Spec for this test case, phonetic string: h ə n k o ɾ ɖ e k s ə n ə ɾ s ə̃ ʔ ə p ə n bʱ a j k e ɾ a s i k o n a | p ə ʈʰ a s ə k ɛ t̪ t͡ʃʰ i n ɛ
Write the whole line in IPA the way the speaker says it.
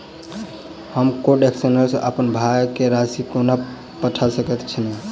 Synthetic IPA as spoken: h ə m k o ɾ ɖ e k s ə n ə ɾ s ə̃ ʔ ə p ə n bʱ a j k e ɾ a s i k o n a | p ə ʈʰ a s ə k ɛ t̪ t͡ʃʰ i n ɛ